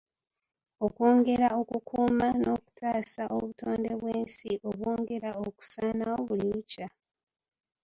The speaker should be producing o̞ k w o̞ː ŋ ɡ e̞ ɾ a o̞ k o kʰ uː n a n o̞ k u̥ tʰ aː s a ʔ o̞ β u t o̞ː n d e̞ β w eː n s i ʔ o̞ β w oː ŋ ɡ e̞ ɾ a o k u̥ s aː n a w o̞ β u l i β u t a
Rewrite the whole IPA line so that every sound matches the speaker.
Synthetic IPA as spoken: o̞ k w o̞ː ŋ ɡ e̞ ɾ a o̞ k u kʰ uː m a n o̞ k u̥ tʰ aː s a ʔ o̞ β u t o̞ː n d e̞ β w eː n s i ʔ o̞ β w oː ŋ ɡ e̞ ɾ a o k u̥ s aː n a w o̞ β u l i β u c a